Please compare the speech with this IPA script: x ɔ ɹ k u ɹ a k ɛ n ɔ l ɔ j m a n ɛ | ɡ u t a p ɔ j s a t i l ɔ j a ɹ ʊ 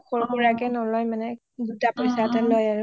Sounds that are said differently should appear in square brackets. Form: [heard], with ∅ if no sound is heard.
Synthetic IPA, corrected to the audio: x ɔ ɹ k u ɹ a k ɛ n ɔ l ɔ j m a n ɛ | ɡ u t a p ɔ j s a t [a] l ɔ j a ɹ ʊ

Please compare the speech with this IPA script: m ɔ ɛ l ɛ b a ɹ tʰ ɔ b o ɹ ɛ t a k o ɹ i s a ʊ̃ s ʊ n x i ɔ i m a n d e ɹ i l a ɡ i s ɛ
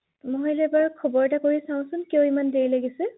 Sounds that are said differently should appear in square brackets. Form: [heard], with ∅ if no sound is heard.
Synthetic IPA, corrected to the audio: m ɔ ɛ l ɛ b a ɹ [kʰ] ɔ b [ɔ] ɹ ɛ t a k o ɹ i s a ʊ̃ s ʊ n [k] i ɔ i m a n d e ɹ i l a ɡ i s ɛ

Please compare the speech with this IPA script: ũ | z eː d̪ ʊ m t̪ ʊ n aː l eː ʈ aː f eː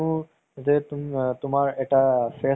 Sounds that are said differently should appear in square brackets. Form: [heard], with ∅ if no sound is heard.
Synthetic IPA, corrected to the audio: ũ | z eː [t̪] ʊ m t̪ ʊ [m] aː [ɾ] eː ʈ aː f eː

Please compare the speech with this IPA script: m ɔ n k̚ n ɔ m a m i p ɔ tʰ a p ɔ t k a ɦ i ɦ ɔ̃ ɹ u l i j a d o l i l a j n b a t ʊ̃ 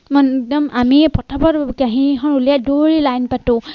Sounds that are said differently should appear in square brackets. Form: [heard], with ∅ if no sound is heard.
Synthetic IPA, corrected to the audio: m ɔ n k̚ [d] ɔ m a m i p ɔ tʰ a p ɔ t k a ɦ i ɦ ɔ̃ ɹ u l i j a d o [ɹ] i l a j n [p] a t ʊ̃

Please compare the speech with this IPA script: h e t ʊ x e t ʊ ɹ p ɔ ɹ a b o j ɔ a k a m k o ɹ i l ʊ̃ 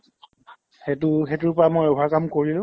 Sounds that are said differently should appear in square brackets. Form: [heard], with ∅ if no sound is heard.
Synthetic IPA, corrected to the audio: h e t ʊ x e t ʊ ɹ p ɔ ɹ a [m] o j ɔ a k a m k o ɹ i l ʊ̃

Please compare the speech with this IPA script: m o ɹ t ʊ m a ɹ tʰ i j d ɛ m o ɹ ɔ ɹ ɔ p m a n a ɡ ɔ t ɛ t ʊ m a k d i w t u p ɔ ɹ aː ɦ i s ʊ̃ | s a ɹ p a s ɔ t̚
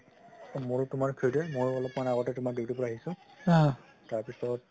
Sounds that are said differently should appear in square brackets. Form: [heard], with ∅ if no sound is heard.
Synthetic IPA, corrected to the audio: m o ɹ t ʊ m a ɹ [kʰ] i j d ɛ m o ɹ ɔ [l] ɔ p m a n a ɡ ɔ t ɛ t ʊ m a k d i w t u p ɔ ɹ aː ɦ i s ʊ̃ | [t] a ɹ p [i] s ɔ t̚

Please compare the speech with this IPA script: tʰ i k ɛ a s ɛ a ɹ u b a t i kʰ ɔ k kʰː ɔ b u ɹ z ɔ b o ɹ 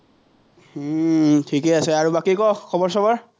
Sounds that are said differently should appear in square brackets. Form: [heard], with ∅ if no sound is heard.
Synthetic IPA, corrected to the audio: tʰ i k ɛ a s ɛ a ɹ u b a [k] i [k] ɔ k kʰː ɔ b [ɔ] ɹ [s] ɔ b [ɔ] ɹ

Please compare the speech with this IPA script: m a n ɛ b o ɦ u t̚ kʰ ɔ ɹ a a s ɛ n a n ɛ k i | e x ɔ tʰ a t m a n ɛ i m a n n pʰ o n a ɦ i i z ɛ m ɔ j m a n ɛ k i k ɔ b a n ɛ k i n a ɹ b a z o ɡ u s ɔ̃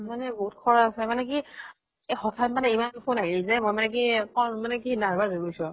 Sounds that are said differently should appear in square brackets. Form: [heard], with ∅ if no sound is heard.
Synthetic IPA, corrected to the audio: m a n ɛ b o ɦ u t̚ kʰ ɔ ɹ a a s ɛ [m] a n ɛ k i | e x ɔ tʰ a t m a n ɛ i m a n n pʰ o n a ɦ i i z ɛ m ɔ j m a n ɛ k i k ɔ [m] a n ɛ k i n a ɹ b a z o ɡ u s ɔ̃

